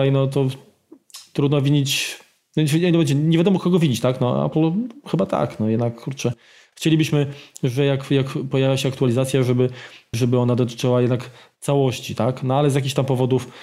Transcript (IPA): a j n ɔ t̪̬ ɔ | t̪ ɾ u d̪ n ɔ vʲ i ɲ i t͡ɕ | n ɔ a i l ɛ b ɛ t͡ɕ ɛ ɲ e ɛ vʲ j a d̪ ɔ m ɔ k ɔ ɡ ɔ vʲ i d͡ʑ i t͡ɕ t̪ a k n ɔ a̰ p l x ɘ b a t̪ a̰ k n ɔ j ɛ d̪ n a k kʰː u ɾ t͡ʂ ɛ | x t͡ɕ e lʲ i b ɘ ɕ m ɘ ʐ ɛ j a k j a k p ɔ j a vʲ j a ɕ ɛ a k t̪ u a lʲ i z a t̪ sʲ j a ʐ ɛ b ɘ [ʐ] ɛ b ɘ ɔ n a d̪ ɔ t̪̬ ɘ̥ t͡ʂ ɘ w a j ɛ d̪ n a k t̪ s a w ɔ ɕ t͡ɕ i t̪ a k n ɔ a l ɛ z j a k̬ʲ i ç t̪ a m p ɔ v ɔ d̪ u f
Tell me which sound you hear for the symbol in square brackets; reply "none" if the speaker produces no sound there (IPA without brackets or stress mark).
ʐ